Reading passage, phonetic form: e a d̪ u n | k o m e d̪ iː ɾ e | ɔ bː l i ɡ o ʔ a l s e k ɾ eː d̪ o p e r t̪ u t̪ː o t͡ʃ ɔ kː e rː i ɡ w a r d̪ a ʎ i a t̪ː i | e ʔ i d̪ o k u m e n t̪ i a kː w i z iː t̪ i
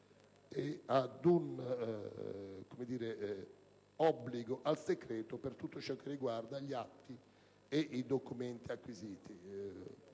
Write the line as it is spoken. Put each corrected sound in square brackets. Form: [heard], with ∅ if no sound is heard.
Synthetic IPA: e a d̪ u n | k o m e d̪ iː ɾ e | ɔ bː l i ɡ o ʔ a l s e k ɾ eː [t̪] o p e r t̪ u t̪ː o t͡ʃ ɔ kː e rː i ɡ w a r d̪ a ʎ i a t̪ː i | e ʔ i d̪ o k u m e n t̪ i a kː w i z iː t̪ i